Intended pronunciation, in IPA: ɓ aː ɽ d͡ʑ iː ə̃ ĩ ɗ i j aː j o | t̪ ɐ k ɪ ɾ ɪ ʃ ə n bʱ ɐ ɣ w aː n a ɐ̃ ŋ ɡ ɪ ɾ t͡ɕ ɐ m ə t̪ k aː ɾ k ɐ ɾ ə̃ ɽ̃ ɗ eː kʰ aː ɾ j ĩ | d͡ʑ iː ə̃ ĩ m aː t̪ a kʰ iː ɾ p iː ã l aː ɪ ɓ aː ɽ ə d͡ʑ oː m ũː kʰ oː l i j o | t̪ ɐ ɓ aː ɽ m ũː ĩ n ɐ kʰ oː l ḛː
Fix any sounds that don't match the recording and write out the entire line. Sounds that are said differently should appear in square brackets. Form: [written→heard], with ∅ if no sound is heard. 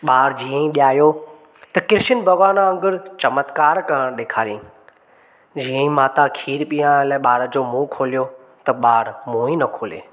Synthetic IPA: ɓ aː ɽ d͡ʑ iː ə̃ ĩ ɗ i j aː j o | t̪ ɐ k ɪ ɾ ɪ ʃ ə n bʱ ɐ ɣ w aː n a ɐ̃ ŋ ɡ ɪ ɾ t͡ɕ ɐ m ə t̪ k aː ɾ k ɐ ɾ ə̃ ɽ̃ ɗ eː kʰ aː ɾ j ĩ | d͡ʑ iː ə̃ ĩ m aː t̪ a kʰ iː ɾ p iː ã l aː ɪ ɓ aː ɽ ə d͡ʑ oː m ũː kʰ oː l i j o | t̪ ɐ ɓ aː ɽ m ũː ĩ n ɐ kʰ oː l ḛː